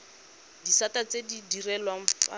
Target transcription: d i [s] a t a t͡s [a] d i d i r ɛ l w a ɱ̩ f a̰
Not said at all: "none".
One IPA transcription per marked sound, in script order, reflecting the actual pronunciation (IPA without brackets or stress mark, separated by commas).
s, e